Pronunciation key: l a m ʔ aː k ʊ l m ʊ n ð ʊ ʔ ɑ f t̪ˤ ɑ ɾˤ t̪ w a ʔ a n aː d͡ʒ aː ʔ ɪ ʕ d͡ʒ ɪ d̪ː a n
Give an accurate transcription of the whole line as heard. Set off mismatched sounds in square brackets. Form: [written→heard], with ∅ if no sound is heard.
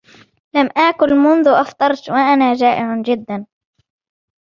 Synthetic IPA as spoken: l a m ʔ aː k ʊ l m ʊ n ð ʊ ʔ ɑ f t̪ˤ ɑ ɾˤ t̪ w a ʔ a n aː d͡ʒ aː ʔ ɪ ʕ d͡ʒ ɪ d̪ː a n